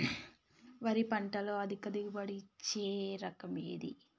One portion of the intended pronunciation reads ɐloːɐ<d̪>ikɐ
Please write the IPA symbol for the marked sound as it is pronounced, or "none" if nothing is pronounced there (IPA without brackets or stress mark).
d̪